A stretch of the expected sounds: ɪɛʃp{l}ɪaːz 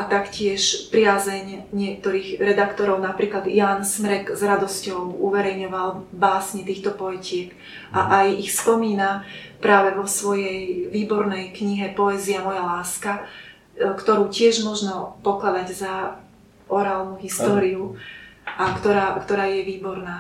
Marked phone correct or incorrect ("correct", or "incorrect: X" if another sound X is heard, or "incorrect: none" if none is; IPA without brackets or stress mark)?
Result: incorrect: ɾ